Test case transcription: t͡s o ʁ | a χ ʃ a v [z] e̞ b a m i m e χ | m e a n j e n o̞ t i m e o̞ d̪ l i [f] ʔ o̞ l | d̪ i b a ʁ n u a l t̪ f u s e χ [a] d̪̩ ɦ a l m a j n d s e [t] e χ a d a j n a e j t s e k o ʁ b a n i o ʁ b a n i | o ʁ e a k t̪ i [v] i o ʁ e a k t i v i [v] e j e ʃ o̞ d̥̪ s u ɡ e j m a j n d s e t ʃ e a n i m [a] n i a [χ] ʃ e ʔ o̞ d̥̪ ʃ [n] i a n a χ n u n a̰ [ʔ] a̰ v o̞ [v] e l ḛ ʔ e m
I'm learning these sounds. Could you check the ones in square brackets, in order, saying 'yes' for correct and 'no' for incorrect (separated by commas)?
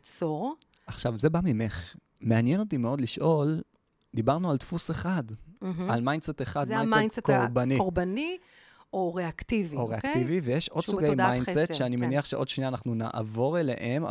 yes, no, yes, yes, yes, yes, no, yes, yes, yes, no